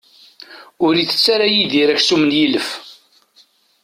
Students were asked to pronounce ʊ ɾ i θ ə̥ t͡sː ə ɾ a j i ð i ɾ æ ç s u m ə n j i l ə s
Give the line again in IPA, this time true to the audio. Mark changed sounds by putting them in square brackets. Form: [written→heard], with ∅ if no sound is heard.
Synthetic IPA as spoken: ʊ ɾ i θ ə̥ t͡sː [ə→a] ɾ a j i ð i ɾ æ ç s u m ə n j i l ə [s→f]